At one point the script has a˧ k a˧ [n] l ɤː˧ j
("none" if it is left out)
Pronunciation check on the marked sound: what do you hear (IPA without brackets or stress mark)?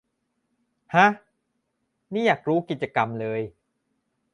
m